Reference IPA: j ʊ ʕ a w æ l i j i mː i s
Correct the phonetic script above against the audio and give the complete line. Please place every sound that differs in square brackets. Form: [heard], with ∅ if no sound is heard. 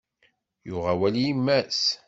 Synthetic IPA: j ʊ [ʁ] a w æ l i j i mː [æ] s